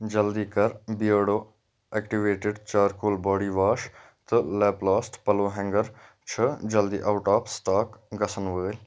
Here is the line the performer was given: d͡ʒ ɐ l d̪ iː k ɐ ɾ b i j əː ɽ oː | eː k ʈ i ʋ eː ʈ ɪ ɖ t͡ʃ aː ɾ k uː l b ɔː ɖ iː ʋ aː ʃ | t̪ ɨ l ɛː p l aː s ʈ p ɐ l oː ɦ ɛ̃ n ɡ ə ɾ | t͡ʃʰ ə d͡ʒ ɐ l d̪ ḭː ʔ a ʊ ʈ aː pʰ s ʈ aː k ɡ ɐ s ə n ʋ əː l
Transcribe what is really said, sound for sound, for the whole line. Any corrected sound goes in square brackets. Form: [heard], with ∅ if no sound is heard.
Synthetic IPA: d͡ʒ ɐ l d̪ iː k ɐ ɾ b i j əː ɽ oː | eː k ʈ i ʋ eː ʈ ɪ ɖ t͡ʃ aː ɾ k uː l b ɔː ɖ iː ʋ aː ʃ | t̪ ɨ l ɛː p l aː s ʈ p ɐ l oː ɦ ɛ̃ [ŋ] ɡ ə ɾ | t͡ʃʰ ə d͡ʒ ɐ l d̪ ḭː ʔ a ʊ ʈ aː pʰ s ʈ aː k ɡ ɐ s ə n ʋ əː l

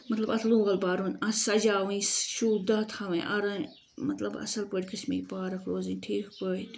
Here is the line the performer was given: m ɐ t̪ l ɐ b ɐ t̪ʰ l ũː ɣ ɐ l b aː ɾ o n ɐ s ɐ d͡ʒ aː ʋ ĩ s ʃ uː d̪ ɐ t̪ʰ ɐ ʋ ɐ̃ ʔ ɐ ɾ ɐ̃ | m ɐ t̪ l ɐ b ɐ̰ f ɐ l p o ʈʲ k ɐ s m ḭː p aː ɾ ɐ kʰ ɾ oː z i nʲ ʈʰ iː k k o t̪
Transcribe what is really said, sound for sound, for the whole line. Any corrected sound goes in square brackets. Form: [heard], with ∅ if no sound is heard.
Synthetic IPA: m ɐ t̪ l ɐ b ɐ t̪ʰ l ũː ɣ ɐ l b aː ɾ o n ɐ s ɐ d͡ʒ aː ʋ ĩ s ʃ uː d̪ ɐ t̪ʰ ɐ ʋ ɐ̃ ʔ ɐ ɾ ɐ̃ | m ɐ t̪ l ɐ b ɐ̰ [s] ɐ l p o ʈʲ k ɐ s m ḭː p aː ɾ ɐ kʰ ɾ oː z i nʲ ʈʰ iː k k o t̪

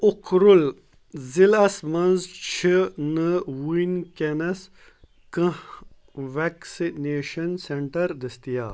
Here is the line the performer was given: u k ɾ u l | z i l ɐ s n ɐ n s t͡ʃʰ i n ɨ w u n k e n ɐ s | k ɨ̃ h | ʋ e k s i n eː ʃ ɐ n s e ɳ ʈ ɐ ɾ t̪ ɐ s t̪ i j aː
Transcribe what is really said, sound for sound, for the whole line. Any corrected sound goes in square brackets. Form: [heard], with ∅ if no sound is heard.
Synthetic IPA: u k ɾ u l | z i l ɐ s [m] ɐ n [z] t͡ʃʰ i n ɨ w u n k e n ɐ s | k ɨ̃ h | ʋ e k s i n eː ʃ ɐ n s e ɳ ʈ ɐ ɾ [d̪] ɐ s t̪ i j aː

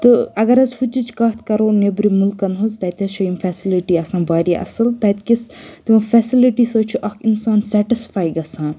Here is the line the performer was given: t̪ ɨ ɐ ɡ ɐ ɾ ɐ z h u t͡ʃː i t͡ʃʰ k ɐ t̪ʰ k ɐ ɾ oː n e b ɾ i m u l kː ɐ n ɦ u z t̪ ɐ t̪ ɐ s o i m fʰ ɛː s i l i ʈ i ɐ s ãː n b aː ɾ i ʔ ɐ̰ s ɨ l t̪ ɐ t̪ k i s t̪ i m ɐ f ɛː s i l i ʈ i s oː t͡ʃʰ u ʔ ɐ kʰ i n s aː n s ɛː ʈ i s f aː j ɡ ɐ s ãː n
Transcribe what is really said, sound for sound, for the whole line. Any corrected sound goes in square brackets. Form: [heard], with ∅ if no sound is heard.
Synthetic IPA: t̪ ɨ ɐ ɡ ɐ ɾ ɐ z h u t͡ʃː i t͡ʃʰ k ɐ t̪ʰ k ɐ ɾ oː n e b ɾ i m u l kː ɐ n ɦ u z t̪ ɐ t̪ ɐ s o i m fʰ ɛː s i l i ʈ i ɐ s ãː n b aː ɾ i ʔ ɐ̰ s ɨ l t̪ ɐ t̪ k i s t̪ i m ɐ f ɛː s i l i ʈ i s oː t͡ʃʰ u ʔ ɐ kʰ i n s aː n s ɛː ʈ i s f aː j ɡ ɐ s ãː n

